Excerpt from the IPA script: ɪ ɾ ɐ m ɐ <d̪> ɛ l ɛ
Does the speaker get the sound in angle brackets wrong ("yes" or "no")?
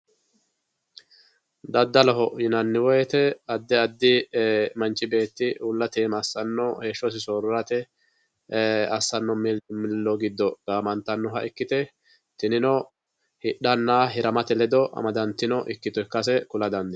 yes